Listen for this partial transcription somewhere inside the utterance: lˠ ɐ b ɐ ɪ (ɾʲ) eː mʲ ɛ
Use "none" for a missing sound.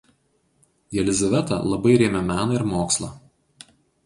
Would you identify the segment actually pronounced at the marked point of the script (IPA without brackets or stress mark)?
ɾʲ